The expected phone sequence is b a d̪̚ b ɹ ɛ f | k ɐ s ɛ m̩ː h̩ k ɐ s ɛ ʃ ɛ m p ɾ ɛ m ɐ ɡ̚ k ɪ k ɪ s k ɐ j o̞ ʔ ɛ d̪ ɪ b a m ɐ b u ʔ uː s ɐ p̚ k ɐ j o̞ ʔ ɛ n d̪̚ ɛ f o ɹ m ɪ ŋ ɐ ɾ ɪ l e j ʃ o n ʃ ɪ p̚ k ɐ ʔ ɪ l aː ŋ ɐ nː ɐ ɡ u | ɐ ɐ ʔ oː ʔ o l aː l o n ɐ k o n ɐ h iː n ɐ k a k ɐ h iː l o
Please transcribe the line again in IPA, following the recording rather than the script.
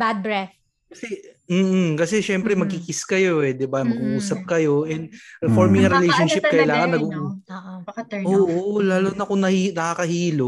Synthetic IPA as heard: b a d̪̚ b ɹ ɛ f | k ɐ s ɛ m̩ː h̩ k ɐ s ɛ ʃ ɛ m p ɾ ɛ m ɐ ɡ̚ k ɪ k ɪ s k ɐ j o̞ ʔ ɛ d̪ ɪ b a m ɐ ɡ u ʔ uː s ɐ p̚ k ɐ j o̞ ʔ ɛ n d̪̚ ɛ f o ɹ m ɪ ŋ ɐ ɾ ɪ l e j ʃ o n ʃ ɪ p̚ k ɐ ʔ ɪ l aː ŋ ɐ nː ɐ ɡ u | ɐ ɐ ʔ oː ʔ o l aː l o n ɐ k o n ɐ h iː n ɐ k a k ɐ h iː l o